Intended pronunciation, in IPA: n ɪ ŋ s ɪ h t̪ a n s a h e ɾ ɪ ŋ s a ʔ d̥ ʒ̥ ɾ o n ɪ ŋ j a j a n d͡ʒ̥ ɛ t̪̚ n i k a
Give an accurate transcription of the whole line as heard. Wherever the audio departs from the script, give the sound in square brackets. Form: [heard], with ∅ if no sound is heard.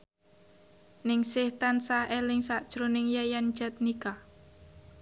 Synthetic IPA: n ɪ ŋ s ɪ h t̪ a n s a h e [l] ɪ ŋ s a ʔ d̥ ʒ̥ ɾ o n ɪ ŋ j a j a n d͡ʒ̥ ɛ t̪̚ n i k a